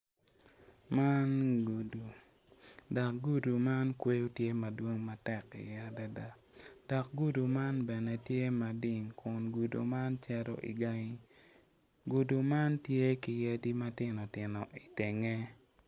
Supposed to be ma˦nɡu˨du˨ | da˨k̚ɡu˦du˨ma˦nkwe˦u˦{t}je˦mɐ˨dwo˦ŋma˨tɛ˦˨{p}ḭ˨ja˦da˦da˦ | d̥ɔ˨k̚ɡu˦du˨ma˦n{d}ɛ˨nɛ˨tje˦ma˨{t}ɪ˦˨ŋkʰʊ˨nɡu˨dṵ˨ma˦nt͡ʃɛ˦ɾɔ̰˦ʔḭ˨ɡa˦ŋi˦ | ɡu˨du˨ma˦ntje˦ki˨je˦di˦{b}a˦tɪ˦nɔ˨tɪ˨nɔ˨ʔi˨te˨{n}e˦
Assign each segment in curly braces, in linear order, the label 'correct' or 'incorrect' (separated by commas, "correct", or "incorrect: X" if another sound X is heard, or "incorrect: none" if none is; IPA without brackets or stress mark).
correct, incorrect: k, incorrect: b, incorrect: d, incorrect: m, incorrect: ŋ